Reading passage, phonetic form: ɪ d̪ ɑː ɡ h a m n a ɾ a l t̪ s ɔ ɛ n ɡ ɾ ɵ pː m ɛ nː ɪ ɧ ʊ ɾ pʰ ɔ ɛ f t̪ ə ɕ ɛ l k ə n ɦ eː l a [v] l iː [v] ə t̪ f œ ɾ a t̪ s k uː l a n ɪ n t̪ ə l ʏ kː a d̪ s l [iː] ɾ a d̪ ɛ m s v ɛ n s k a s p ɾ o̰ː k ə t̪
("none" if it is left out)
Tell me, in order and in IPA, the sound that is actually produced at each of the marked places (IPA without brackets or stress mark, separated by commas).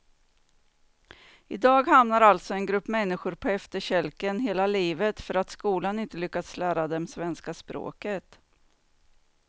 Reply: none, v, æː